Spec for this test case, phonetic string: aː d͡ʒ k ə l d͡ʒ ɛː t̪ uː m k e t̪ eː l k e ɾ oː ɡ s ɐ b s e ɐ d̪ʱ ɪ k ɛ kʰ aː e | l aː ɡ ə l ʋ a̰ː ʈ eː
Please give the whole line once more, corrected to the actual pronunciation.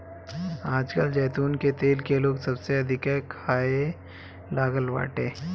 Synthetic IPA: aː d͡ʒ k ə l d͡ʒ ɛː t̪ uː n k e t̪ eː l k e l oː ɡ s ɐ b s e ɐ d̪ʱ ɪ k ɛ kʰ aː e | l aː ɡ ə l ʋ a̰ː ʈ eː

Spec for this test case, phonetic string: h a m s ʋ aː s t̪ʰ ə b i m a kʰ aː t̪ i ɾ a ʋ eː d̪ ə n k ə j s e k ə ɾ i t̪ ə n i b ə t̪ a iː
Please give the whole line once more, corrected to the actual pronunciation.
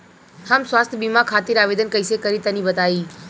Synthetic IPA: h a m s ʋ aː s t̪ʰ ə b i m a kʰ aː t̪ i ɾ a ʋ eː d̪ ə n k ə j s e k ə ɾ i t̪ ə n i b ə t̪ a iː

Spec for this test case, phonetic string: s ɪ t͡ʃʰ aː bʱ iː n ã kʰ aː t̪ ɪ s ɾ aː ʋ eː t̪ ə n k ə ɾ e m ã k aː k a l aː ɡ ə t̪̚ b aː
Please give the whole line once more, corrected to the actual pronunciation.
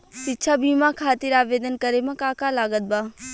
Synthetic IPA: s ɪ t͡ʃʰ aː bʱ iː m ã kʰ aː t̪ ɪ ɾ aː ʋ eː d̪ ə n k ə ɾ e m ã k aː k a l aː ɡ ə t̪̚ b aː

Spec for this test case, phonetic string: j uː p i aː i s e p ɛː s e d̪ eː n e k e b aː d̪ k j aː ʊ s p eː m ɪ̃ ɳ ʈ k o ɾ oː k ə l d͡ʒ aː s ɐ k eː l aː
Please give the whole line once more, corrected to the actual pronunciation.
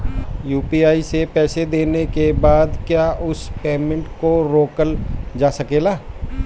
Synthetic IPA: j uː p i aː i s e p ɛː s e d̪ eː n e k e b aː d̪ k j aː ʊ s p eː m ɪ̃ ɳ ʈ k o ɾ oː k ə l d͡ʒ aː s ɐ k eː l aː

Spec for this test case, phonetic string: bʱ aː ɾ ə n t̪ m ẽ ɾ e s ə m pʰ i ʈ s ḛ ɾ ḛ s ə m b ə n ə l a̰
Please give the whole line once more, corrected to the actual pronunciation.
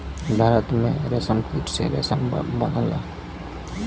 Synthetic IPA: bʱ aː ɾ ə t̪ m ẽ ɾ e s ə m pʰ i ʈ s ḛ ɾ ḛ s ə m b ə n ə l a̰

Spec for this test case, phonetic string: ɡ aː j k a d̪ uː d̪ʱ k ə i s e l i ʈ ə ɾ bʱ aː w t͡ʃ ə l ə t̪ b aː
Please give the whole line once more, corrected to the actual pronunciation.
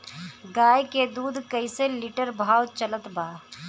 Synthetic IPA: ɡ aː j k e d̪ uː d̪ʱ k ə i s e l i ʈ ə ɾ bʱ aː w t͡ʃ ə l ə t̪ b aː

